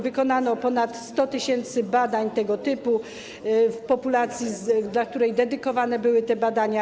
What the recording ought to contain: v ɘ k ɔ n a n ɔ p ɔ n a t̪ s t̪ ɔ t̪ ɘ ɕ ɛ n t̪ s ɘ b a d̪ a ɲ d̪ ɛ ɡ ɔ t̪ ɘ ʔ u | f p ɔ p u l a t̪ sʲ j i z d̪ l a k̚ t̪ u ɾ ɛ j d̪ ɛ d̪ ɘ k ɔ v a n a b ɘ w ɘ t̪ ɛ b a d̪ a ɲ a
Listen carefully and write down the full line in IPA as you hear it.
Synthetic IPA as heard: v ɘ k ɔ n a n ɔ p ɔ n a t̪ s t̪ ɔ t̪ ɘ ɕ ɛ n t̪ s ɘ b a d̪ a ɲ t̪ ɛ ɡ ɔ t̪ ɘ p u | f p ɔ p u l a t̪ sʲ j i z d̪ l a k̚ t̪ u ɾ ɛ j d̪ ɛ d̪ ɘ k ɔ v a n ɛ b ɘ w ɘ t̪ ɛ b a d̪ a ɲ a